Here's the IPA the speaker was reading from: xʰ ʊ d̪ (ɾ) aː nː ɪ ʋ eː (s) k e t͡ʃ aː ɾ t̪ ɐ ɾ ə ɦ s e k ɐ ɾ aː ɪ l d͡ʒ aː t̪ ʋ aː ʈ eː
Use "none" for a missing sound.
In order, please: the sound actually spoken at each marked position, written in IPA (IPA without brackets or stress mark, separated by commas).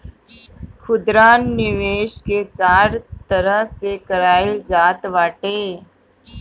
ɾ, ʃ